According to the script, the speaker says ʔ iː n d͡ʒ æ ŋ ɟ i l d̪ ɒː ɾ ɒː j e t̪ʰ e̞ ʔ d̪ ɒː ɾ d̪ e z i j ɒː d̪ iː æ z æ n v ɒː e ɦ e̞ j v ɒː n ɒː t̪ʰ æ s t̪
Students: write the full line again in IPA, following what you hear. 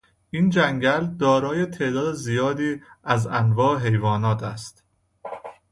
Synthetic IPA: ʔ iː n d͡ʒ æ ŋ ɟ æ l d̪ ɒː ɾ ɒː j e t̪ʰ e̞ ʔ d̪ ɒː d̪ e z i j ɒː d̪ iː æ z æ n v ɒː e ɦ e̞ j v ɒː n ɒː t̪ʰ æ s t̪